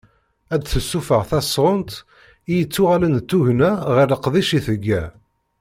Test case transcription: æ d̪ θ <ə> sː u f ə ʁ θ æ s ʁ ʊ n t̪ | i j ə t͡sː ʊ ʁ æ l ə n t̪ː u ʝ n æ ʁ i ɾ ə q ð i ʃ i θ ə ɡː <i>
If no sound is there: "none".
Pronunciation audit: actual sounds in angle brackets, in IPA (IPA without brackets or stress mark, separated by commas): ə, æ